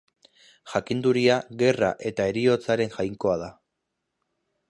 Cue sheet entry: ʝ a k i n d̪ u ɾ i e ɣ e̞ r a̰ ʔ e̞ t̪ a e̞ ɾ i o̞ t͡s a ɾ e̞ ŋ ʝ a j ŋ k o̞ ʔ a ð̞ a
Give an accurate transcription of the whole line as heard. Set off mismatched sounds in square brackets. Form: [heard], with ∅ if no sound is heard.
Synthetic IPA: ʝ a k i n d̪ u ɾ i [a] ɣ e̞ r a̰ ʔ e̞ t̪ a e̞ ɾ i o̞ t͡s a ɾ e̞ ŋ ʝ a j ŋ k o̞ [∅] a ð̞ a